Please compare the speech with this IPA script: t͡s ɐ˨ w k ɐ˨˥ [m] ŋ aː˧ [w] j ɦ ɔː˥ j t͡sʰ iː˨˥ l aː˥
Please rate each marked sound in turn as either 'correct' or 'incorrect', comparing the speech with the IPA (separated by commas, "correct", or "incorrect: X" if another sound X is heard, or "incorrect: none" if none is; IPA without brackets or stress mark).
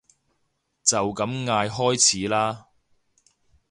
correct, incorrect: none